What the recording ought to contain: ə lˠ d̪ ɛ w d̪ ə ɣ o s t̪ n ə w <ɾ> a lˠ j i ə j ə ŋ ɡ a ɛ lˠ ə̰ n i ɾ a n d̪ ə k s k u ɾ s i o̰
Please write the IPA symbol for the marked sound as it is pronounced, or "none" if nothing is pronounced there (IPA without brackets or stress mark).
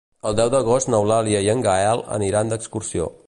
l